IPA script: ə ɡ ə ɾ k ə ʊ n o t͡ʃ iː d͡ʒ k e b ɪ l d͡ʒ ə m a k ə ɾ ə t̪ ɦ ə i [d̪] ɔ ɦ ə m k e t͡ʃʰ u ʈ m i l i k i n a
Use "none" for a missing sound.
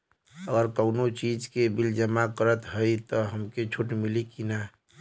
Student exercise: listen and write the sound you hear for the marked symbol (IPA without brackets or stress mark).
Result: t̪